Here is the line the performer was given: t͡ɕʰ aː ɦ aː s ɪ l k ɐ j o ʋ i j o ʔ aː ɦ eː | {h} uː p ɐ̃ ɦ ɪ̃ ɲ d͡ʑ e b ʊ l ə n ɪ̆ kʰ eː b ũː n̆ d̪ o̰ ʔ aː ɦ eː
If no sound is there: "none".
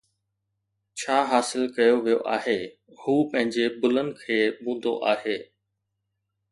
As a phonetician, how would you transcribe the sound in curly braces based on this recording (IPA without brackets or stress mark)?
h